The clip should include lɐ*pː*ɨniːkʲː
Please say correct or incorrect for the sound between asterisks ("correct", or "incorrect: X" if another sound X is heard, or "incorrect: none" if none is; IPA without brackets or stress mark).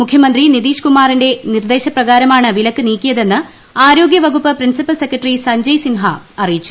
incorrect: kː